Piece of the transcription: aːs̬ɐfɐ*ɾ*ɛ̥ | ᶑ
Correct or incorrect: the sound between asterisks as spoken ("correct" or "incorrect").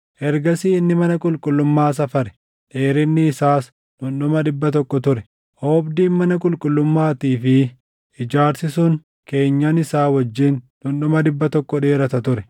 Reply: correct